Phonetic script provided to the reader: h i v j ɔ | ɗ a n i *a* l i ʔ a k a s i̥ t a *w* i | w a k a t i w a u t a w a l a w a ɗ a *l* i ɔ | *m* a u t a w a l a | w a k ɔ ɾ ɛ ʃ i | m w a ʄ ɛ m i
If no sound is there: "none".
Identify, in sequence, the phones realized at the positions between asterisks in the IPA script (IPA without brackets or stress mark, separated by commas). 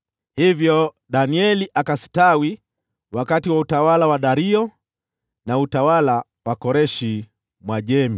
ɛ, w, ɾ, n